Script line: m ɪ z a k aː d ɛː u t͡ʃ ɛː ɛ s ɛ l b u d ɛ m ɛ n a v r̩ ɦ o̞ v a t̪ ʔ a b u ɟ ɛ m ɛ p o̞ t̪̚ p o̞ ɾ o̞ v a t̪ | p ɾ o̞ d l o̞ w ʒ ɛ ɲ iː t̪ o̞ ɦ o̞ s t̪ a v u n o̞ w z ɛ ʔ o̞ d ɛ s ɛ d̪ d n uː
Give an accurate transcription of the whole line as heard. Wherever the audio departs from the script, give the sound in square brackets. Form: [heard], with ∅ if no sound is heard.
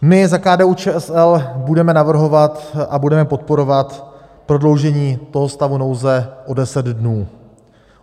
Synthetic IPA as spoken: m ɪ z a k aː d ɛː u t͡ʃ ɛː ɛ s ɛ l b u d ɛ m ɛ n a v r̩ ɦ o̞ v a t̪ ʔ a b u [d] ɛ m ɛ p o̞ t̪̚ p o̞ ɾ o̞ v a t̪ | p ɾ o̞ d l o̞ w ʒ ɛ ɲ iː t̪ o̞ ɦ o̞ s t̪ a v u n o̞ w z ɛ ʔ o̞ d ɛ s ɛ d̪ d n uː